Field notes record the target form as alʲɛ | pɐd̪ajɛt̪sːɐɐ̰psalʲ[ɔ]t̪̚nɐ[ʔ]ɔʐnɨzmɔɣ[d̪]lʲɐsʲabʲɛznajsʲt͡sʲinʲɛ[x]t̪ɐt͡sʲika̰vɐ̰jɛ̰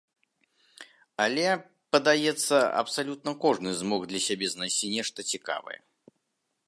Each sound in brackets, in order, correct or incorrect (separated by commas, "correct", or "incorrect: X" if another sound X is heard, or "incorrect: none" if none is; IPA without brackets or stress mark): incorrect: u, incorrect: k, correct, incorrect: ʂ